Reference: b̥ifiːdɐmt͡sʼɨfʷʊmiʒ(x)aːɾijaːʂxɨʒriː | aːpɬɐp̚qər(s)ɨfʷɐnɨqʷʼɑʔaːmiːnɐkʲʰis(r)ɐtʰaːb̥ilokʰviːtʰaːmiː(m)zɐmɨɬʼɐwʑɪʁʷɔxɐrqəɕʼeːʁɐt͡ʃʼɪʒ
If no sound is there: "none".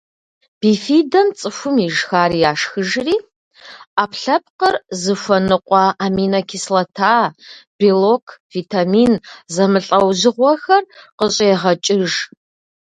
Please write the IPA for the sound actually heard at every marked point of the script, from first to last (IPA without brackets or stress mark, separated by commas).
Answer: x, z, l, n